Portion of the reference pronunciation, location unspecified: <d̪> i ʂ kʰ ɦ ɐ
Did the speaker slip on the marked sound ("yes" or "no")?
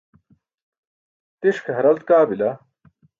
yes